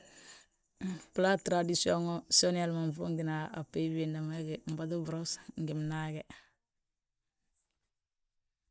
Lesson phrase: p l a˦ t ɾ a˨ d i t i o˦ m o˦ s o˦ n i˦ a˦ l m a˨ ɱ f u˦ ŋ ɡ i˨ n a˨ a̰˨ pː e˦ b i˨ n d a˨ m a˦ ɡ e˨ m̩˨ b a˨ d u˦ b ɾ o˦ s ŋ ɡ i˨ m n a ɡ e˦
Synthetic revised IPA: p l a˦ t ɾ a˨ d i s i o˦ ŋ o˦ s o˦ n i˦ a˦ l m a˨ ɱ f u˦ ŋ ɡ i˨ n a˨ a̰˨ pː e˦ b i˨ n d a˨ m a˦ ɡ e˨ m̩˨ b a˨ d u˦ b ɾ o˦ s ŋ ɡ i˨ m n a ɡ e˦